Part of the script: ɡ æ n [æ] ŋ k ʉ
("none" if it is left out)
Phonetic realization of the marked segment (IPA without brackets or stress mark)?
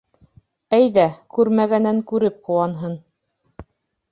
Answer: æ